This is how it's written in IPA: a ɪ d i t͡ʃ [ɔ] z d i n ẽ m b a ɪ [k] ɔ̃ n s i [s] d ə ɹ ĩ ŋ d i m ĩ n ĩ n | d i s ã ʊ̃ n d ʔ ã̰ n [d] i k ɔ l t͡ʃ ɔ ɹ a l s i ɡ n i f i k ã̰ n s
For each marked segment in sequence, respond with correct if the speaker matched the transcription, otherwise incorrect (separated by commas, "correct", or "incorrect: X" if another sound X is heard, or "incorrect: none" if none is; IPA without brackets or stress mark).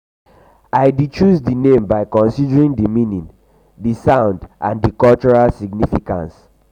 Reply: incorrect: u, correct, incorrect: none, correct